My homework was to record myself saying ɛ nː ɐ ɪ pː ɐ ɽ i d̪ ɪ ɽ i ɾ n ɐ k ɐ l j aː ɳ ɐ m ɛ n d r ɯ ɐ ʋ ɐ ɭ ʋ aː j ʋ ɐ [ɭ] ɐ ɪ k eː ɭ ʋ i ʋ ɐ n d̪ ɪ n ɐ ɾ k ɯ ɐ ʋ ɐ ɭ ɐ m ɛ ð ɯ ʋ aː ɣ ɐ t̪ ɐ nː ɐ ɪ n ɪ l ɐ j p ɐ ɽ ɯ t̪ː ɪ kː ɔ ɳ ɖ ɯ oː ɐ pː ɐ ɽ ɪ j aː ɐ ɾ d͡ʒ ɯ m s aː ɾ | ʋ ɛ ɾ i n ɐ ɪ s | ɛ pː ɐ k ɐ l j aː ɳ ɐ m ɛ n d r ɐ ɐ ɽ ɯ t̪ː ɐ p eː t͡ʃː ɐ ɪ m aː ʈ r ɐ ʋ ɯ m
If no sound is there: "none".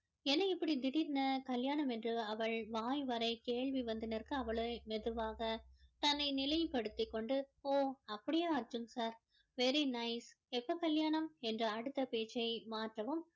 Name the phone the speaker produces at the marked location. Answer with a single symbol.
ɾ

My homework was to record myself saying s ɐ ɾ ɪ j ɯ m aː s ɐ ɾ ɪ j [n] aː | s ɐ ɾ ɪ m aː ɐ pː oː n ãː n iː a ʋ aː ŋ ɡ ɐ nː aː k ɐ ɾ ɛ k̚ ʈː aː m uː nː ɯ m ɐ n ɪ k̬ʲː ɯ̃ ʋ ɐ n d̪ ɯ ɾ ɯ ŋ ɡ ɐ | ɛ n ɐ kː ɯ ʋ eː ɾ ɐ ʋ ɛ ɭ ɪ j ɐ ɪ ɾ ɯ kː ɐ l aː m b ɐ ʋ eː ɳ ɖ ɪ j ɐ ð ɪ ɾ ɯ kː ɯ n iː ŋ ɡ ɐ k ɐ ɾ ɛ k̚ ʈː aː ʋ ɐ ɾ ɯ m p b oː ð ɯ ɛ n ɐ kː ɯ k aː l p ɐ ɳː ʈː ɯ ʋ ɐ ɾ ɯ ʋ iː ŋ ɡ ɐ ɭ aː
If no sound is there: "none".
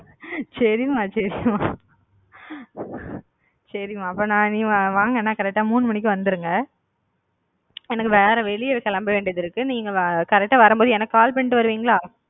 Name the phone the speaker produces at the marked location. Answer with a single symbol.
m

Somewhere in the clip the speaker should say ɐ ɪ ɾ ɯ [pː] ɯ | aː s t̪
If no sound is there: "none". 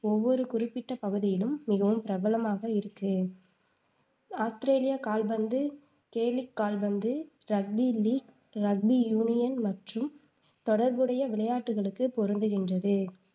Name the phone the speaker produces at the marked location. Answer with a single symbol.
kː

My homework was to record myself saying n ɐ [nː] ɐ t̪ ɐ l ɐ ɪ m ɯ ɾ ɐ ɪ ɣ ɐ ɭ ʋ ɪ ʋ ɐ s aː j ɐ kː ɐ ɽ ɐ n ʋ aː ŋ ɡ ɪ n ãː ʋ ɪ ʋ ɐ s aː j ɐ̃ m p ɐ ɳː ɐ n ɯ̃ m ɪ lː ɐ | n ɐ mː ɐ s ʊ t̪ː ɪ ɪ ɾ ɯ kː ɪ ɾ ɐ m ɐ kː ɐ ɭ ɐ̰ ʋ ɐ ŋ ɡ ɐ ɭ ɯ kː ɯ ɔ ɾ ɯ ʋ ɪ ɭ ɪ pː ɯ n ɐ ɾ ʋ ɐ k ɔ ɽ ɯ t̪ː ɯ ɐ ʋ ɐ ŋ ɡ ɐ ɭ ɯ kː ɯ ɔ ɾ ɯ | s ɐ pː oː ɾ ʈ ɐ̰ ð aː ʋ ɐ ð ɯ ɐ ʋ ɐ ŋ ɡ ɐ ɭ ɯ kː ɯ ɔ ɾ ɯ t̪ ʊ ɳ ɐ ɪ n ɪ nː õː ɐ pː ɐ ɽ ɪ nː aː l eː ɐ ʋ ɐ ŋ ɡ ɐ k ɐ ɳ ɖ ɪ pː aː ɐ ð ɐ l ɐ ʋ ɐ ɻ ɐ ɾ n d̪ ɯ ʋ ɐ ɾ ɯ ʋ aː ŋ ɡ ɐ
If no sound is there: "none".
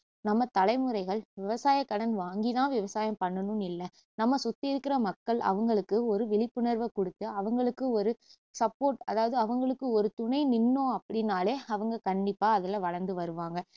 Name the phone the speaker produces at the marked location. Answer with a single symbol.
mː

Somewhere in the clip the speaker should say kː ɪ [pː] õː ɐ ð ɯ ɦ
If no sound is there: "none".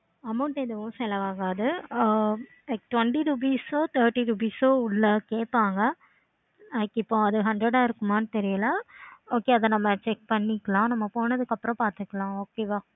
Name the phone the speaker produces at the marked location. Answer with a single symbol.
pː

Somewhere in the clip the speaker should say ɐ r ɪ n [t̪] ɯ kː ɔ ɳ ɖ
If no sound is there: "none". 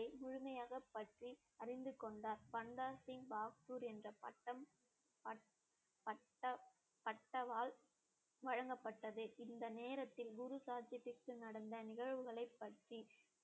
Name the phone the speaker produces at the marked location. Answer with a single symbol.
d̪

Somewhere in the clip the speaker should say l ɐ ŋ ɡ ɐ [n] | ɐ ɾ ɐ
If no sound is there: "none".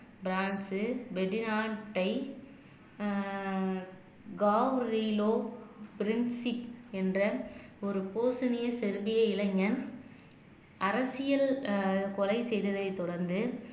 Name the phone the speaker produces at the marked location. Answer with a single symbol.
n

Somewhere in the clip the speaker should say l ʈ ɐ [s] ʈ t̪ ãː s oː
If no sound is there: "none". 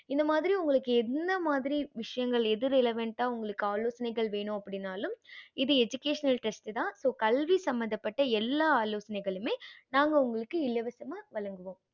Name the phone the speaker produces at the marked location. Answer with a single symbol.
s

